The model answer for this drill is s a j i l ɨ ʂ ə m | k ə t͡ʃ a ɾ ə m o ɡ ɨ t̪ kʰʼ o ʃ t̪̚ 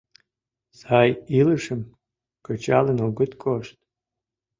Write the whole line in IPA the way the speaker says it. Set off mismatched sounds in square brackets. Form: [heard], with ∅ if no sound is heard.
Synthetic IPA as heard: s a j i l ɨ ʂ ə m | k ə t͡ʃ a [l] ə [n] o ɡ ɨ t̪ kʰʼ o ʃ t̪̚